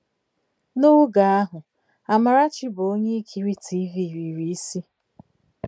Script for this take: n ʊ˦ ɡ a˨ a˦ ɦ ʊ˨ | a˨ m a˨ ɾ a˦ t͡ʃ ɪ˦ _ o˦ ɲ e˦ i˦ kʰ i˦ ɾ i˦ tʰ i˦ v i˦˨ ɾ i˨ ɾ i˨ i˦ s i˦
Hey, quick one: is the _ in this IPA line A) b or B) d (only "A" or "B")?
A